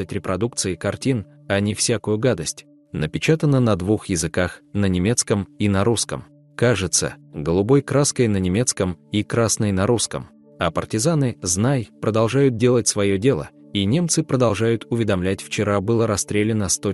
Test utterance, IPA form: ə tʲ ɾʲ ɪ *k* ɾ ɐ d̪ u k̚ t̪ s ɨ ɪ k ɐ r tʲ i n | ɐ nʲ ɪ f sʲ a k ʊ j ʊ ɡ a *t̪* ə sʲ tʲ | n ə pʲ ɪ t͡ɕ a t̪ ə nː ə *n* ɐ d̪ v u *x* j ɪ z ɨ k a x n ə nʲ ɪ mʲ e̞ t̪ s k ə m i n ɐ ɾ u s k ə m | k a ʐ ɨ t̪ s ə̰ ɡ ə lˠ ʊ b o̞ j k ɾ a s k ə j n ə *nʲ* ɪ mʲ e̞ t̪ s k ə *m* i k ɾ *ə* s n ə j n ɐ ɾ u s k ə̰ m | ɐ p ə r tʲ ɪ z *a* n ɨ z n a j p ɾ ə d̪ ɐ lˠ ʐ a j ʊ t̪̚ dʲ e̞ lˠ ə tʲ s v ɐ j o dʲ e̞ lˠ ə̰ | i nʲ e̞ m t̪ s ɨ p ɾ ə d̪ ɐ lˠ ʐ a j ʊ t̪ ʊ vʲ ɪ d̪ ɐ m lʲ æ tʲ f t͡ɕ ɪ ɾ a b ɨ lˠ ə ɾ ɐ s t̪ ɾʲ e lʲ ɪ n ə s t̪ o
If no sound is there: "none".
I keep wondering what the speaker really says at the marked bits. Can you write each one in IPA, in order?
p, d̪, n, x, nʲ, m, a, a

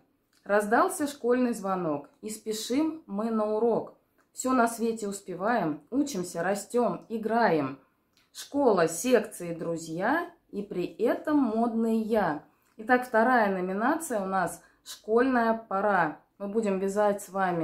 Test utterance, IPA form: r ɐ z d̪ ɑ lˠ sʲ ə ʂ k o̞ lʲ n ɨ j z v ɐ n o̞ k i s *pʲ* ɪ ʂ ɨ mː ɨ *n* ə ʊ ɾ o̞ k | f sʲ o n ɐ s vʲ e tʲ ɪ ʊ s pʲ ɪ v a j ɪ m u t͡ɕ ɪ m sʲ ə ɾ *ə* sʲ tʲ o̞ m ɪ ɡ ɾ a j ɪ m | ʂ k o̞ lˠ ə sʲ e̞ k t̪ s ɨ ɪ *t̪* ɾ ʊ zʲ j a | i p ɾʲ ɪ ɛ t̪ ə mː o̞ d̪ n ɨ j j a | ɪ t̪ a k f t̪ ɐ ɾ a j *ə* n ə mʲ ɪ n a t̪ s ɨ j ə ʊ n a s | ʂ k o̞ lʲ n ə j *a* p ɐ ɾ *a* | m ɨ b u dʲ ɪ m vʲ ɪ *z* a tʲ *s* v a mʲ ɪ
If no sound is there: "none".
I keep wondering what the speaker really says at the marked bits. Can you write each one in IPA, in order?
pʲ, n, ɐ, d̪, ə, ə, a, z, s

